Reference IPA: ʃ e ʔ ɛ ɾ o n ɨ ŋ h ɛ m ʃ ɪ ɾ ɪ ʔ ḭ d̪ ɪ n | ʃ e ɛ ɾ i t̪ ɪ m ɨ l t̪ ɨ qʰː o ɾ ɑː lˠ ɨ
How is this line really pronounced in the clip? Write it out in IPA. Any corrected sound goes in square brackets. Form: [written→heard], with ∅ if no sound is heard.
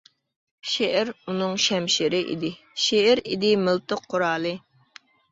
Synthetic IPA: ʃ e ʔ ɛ ɾ [o→u] n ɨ ŋ [h→ʃ] ɛ m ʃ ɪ ɾ ɪ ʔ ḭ d̪ ɪ [n→∅] | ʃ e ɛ ɾ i [t̪→d̪] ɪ m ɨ l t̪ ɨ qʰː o ɾ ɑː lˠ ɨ